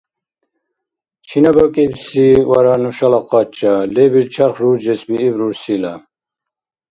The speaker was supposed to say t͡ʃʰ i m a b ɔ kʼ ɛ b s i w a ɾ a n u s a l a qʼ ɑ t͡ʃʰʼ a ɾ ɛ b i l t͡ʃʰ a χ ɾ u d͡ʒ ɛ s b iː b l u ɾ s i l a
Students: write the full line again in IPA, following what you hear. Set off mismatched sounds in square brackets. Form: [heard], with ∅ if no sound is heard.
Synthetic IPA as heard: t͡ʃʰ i [n] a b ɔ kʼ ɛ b s i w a ɾ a n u [ʃ] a l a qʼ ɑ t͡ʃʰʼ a [l] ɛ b i l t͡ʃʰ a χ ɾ u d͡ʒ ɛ s b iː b [ɾ] u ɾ s i l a